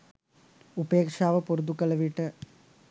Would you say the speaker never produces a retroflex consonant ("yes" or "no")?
no